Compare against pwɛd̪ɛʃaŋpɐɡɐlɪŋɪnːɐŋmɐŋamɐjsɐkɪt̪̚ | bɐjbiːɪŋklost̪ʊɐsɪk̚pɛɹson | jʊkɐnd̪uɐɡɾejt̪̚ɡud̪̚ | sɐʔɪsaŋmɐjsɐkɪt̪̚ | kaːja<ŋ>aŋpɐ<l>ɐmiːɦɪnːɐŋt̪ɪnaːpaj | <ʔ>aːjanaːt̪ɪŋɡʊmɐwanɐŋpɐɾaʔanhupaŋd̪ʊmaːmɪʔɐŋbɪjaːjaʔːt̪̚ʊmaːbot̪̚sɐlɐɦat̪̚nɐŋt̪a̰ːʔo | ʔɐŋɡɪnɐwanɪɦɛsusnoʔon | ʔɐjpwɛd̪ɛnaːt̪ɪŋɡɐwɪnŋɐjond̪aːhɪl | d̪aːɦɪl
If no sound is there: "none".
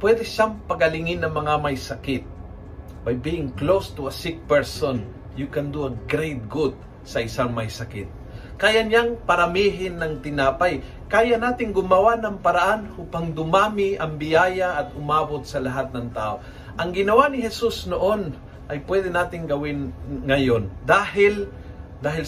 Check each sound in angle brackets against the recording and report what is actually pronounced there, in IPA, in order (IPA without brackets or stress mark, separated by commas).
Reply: ɲ, ɾ, k